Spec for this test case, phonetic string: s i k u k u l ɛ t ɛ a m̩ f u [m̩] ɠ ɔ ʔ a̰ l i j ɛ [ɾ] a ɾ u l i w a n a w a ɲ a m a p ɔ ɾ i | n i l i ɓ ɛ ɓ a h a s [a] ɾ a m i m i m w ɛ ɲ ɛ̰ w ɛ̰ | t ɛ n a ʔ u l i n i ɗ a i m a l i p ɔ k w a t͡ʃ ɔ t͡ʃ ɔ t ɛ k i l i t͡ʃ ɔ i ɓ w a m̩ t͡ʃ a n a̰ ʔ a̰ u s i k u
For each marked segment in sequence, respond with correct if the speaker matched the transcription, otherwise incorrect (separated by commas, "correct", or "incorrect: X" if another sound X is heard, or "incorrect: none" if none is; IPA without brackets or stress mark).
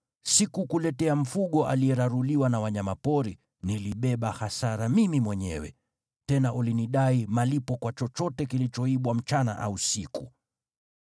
incorrect: none, correct, correct